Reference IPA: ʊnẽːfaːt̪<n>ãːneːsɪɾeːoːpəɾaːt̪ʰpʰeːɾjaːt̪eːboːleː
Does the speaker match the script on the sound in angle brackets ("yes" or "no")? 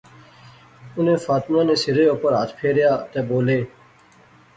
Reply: no